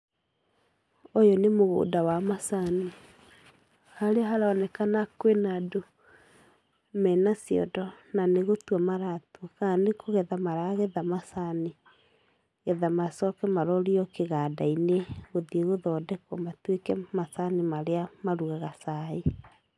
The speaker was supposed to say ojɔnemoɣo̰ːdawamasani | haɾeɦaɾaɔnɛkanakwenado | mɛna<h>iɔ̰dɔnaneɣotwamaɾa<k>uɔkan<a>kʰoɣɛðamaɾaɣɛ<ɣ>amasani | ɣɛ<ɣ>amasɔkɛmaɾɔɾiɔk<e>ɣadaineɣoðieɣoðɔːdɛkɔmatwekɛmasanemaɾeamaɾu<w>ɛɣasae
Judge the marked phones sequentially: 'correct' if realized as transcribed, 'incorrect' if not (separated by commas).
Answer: incorrect, incorrect, incorrect, incorrect, incorrect, correct, incorrect